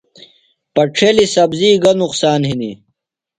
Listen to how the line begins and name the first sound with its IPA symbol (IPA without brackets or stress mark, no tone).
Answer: p